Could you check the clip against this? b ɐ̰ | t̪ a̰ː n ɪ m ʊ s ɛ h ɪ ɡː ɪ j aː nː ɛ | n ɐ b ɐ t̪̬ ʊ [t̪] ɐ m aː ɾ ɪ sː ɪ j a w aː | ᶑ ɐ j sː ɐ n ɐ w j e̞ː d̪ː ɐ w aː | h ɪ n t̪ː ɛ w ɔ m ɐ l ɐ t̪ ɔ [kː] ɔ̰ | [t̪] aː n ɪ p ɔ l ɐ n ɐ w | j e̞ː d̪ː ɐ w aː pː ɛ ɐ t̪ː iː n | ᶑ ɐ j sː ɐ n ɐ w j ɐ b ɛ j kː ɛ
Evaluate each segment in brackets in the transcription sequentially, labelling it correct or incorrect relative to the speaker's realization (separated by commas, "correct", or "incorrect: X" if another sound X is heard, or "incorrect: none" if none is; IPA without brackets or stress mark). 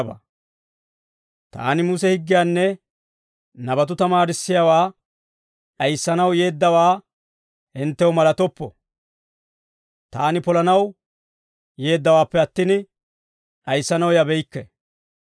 correct, incorrect: pː, correct